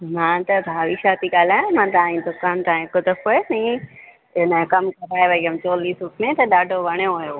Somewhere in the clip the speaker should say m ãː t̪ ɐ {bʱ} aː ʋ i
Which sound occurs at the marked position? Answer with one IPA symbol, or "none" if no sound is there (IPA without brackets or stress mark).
bʱ